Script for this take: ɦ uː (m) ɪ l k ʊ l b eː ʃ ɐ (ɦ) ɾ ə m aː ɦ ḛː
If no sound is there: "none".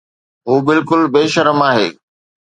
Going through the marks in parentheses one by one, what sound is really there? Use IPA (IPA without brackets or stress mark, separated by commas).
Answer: b, none